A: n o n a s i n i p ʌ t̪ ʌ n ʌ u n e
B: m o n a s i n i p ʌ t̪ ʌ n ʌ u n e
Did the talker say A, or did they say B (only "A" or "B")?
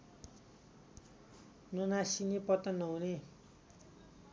A